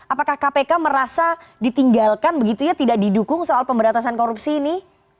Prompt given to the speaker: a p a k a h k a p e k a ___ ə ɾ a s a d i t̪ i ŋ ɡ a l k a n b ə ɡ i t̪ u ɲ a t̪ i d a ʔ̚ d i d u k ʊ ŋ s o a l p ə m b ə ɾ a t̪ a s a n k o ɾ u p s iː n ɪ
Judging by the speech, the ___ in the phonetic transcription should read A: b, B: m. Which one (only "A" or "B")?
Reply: B